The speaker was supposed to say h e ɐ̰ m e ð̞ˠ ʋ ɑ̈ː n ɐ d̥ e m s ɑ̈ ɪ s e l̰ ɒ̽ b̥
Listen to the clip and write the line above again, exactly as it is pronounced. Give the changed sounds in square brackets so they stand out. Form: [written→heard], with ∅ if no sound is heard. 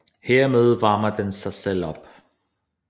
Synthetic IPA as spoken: h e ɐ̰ m e ð̞ˠ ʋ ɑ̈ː [n→m] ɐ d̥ e [m→n] s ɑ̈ ɪ s e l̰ ɒ̽ b̥

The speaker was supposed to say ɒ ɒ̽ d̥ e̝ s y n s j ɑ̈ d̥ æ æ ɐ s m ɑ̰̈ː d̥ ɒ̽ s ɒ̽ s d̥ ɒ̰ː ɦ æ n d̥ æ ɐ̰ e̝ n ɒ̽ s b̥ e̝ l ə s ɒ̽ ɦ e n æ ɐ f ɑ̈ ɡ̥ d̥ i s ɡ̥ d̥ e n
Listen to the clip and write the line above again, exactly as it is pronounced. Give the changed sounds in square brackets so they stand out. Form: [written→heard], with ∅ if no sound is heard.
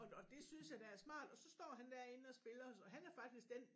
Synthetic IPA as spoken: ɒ ɒ̽ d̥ e̝ s y n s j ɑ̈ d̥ æ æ ɐ s m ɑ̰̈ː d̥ ɒ̽ s ɒ̽ s d̥ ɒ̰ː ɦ æ n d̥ æ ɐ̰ e̝ n ɒ̽ s b̥ e̝ l [ə→ɐ] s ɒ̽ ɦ [e→æ] n æ ɐ f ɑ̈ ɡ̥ d̥ i s ɡ̥ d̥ e n

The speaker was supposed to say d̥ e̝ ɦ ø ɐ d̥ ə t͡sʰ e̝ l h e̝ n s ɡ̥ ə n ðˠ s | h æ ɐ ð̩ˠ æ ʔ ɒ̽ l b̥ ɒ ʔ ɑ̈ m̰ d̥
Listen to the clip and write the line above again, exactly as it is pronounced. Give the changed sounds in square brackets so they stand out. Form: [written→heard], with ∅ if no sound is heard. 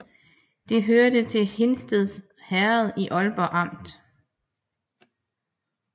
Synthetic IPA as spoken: d̥ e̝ ɦ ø ɐ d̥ ə t͡sʰ e̝ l h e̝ n s [ɡ̥→d̥] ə [n→∅] ðˠ s | h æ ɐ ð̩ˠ [æ→i] ʔ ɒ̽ l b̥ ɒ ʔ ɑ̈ m̰ d̥

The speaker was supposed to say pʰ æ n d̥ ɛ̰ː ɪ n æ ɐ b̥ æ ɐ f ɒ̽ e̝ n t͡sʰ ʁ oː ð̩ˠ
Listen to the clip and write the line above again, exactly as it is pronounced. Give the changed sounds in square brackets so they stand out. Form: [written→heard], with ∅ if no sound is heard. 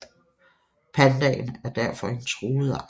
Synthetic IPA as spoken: pʰ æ n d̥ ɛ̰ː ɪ n æ ɐ [b̥→d̥] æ ɐ f ɒ̽ e̝ n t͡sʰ ʁ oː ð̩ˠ

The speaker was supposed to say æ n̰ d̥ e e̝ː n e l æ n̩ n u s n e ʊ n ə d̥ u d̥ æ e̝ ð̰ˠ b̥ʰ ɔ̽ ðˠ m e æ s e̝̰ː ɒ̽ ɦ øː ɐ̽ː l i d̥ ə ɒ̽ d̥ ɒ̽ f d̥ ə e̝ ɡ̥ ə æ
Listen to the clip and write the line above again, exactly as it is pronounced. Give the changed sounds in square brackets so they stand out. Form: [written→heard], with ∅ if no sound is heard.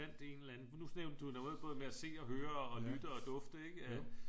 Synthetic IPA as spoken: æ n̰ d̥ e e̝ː n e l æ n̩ n u s n e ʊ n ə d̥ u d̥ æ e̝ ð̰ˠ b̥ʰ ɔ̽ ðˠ m e æ s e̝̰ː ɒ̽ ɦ øː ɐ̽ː l [i→y] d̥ ə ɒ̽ d̥ [ɒ̽→ɔ̽] f d̥ ə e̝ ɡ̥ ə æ

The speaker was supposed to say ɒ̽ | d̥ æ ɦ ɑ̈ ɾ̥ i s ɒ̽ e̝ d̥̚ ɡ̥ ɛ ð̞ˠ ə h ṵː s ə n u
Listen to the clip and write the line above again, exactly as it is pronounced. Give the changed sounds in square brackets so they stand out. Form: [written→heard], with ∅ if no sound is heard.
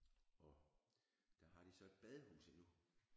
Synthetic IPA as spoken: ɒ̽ | d̥ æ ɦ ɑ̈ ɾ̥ i s ɒ̽ e̝ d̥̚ [ɡ̥→b̥] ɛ ð̞ˠ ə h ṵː s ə n u

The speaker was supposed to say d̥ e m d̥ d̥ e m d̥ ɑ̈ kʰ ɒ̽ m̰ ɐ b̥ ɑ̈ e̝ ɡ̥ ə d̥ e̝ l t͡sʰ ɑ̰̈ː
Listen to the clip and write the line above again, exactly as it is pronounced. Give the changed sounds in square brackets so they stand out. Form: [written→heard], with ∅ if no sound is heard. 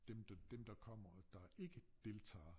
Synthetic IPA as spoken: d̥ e m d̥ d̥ e m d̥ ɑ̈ kʰ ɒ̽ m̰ ɐ [b̥→d̥] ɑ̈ e̝ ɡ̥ ə d̥ e̝ l t͡sʰ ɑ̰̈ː

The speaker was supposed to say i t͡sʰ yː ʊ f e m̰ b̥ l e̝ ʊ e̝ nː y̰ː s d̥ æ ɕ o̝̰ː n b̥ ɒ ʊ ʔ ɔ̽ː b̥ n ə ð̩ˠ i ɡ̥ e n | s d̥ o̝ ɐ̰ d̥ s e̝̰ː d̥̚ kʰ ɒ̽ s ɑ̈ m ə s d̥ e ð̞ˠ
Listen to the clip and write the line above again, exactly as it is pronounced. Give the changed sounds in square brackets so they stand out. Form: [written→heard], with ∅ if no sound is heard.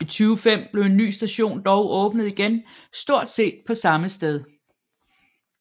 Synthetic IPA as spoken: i t͡sʰ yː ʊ f e m̰ b̥ l e̝ ʊ e̝ nː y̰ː s d̥ æ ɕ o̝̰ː n [b̥→d̥] ɒ ʊ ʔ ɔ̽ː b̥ n ə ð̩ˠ i ɡ̥ e n | s d̥ o̝ ɐ̰ d̥ s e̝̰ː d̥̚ [kʰ→pʰ] ɒ̽ s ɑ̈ m ə s d̥ e ð̞ˠ

